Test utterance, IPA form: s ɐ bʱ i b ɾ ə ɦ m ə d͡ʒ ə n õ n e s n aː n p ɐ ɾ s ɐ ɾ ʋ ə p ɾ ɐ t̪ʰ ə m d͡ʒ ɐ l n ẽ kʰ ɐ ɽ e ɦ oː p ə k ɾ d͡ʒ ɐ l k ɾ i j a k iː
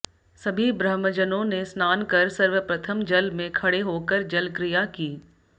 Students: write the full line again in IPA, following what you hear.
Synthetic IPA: s ɐ bʱ i b ɾ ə ɦ m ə d͡ʒ ə n õ n e s n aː n k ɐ ɾ s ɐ ɾ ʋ ə p ɾ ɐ t̪ʰ ə m d͡ʒ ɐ l m ẽ kʰ ɐ ɽ e ɦ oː k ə ɾ d͡ʒ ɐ l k ɾ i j a k iː

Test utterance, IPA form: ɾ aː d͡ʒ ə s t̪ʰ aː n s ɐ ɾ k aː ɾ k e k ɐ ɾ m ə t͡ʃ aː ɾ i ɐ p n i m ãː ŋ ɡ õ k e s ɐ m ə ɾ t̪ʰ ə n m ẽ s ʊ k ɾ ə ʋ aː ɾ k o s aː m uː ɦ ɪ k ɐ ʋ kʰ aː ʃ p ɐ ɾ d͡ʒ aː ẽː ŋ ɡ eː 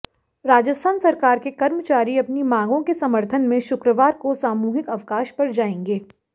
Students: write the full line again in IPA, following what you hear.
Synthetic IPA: ɾ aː d͡ʒ ə s t̪ʰ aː n s ɐ ɾ k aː ɾ k e k ɐ ɾ m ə t͡ʃ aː ɾ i ɐ p n i m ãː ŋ ɡ õ k e s ɐ m ə ɾ t̪ʰ ə n m ẽ ʃ ʊ k ɾ ə ʋ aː ɾ k o s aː m uː ɦ ɪ k ɐ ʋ k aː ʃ p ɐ ɾ d͡ʒ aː ẽː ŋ ɡ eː

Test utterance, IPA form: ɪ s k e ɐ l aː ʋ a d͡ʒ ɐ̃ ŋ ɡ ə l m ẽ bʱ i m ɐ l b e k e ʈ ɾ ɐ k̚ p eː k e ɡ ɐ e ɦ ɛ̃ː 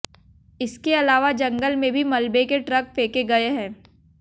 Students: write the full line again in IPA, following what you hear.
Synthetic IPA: ɪ s k e ɐ l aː ʋ a d͡ʒ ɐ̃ ŋ ɡ ə l m ẽ bʱ i m ɐ l b e k e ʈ ɾ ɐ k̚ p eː k e ɡ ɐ e ɦ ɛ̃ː

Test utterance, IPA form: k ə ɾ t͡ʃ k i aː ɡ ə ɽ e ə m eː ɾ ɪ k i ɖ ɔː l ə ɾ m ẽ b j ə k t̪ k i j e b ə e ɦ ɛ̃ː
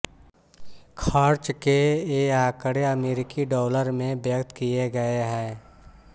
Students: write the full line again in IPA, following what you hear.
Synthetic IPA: kʰ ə ɾ t͡ʃ k e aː k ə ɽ e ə m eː ɾ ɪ k i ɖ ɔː l ə ɾ m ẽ b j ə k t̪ k i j e ɡ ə e ɦ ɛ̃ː

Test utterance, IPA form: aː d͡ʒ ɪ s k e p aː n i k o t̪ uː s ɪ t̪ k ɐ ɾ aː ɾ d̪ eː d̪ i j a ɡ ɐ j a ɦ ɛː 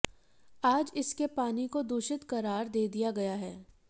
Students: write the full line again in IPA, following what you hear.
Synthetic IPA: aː d͡ʒ ɪ s k e p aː n i k o d̪ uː ʃ ɪ t̪ k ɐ ɾ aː ɾ d̪ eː d̪ i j a ɡ ɐ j a ɦ ɛː

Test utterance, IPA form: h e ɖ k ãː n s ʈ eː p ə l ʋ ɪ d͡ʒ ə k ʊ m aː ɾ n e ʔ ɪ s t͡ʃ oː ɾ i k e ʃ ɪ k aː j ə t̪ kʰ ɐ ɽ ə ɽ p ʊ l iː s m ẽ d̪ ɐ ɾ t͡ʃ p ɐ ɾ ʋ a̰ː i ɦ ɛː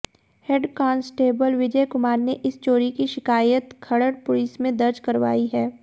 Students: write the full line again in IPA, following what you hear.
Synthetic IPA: h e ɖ k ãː n s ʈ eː b ə l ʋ ɪ d͡ʒ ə k ʊ m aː ɾ n e ʔ ɪ s t͡ʃ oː ɾ i k i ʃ ɪ k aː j ə t̪ kʰ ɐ ɽ ə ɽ p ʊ l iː s m ẽ d̪ ɐ ɾ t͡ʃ k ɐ ɾ ʋ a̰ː i ɦ ɛː

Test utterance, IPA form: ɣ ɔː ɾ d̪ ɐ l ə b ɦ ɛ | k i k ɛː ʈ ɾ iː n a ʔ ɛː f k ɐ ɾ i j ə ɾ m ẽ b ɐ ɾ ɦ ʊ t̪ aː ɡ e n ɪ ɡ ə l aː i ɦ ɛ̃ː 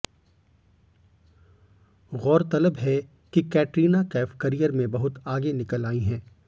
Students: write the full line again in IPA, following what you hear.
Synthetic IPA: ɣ ɔː ɾ t̪ ɐ l ə b ɦ ɛ | k i k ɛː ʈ ɾ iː n a k ɛː f k ɐ ɾ i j ə ɾ m ẽ b ɐ ɦ ʊ t̪ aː ɡ e n ɪ k ə l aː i ɦ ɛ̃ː

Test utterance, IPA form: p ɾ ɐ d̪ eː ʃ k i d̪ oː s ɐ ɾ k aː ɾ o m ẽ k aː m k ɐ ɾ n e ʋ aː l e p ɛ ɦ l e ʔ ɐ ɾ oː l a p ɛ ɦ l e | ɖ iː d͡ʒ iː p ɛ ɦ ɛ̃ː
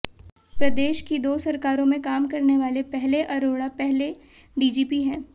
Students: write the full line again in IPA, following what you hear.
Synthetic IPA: p ɾ ɐ d̪ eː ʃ k i d̪ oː s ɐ ɾ k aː ɾ õ m ẽ k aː m k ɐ ɾ n e ʋ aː l e p ɛ ɦ l e ʔ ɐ ɾ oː ɽ a p ɛ ɦ l e | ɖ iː d͡ʒ iː p i ɦ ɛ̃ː

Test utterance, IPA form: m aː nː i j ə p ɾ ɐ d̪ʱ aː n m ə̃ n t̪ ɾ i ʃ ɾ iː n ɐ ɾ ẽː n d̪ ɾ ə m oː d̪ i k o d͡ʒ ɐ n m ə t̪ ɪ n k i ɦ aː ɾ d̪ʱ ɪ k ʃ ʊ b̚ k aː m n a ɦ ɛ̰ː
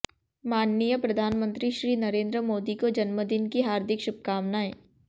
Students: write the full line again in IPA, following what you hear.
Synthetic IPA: m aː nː i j ə p ɾ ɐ d̪ʱ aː n m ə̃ n t̪ ɾ i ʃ ɾ iː n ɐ ɾ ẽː n d̪ ɾ ə m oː d̪ i k o d͡ʒ ɐ n m ə d̪ ɪ n k i ɦ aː ɾ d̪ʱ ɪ k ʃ ʊ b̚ k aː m n a ɦ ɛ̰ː

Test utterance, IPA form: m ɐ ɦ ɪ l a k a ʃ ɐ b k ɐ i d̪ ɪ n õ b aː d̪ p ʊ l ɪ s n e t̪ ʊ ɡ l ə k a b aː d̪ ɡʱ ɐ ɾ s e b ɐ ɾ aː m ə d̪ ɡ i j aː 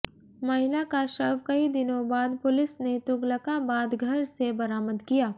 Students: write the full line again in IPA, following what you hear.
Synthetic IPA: m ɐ ɦ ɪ l a k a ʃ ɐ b k ɐ i d̪ ɪ n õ b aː d̪ p ʊ l ɪ s n e t̪ ʊ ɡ l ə k a b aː d̪ ɡʱ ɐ ɾ s e b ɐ ɾ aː m ə d̪ k i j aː

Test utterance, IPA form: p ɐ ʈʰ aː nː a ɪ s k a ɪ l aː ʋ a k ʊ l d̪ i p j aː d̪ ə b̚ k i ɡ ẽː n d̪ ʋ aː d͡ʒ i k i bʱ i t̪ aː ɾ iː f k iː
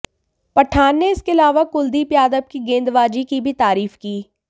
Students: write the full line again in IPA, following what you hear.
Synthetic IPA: p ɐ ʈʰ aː nː e ɪ s k e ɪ l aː ʋ a k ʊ l d̪ i p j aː d̪ ə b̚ k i ɡ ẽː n d̪ ʋ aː d͡ʒ i k i bʱ i t̪ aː ɾ iː f k iː

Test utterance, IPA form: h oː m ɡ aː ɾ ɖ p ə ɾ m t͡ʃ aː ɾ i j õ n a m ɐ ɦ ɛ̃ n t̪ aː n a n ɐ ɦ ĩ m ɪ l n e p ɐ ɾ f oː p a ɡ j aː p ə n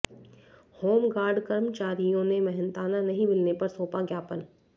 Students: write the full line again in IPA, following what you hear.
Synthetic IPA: h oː m ɡ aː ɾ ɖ k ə ɾ m t͡ʃ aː ɾ i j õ n e m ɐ ɦ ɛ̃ n t̪ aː n a n ɐ ɦ ĩ m ɪ l n e p ɐ ɾ s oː p a ɡ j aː p ə n

